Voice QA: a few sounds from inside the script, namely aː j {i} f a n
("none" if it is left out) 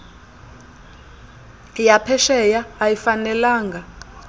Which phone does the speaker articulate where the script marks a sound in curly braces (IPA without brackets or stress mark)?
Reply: i